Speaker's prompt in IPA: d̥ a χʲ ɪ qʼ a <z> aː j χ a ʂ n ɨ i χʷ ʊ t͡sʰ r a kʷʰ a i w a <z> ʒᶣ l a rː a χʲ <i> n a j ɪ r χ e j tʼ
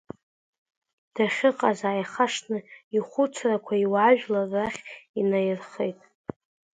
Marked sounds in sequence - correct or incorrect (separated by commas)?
correct, incorrect, correct